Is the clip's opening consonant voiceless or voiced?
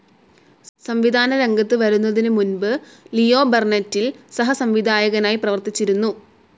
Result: voiceless